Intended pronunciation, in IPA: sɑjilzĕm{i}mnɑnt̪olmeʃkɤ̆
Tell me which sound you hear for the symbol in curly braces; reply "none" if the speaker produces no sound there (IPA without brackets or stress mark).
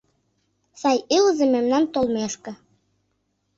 e